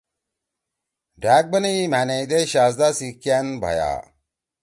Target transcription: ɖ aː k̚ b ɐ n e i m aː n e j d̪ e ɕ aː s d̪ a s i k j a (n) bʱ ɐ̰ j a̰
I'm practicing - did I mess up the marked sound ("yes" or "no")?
no